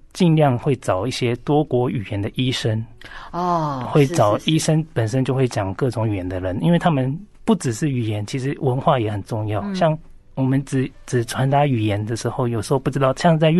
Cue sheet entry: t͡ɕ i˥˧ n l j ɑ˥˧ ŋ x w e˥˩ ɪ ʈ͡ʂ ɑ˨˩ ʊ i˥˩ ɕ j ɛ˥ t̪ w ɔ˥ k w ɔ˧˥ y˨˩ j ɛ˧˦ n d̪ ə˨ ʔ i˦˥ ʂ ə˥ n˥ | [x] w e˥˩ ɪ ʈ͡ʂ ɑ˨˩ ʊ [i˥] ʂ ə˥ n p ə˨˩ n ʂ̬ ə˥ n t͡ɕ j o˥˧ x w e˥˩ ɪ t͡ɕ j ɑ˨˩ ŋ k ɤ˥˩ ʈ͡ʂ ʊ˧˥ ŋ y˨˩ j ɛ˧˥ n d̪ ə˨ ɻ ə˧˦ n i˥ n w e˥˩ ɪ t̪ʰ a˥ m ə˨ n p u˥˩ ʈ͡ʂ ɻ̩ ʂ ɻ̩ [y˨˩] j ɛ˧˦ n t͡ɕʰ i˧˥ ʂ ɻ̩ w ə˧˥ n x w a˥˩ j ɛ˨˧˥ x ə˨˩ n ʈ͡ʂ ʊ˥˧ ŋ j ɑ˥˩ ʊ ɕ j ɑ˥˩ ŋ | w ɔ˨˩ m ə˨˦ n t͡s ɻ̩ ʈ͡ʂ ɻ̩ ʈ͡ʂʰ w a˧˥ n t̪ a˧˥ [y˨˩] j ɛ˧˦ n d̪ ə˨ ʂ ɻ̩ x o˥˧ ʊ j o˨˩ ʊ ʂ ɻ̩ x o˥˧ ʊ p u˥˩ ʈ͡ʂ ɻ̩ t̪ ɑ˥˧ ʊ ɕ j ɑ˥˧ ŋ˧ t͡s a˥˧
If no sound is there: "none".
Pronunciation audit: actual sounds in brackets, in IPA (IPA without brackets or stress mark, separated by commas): x, i˥, y˨˩, y˨˩